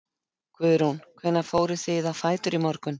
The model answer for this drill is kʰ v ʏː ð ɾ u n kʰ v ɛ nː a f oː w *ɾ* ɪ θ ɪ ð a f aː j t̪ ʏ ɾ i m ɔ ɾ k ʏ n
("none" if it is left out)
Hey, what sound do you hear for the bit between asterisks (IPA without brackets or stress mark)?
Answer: ɾ